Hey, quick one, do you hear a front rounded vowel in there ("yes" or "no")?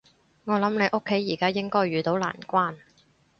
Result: yes